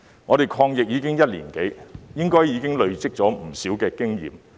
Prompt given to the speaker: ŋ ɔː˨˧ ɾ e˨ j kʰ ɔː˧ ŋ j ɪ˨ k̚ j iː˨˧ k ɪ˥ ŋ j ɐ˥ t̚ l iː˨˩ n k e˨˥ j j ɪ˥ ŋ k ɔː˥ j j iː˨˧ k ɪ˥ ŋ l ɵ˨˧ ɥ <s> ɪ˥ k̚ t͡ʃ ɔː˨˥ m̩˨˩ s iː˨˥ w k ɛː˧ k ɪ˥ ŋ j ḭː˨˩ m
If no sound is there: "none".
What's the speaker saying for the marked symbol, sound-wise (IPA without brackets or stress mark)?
t͡s